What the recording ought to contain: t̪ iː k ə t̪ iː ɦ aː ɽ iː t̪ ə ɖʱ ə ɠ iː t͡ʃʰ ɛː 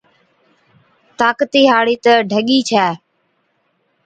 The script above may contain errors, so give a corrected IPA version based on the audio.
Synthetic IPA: t̪ aː k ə t̪ iː ɦ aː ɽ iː t̪ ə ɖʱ ə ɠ iː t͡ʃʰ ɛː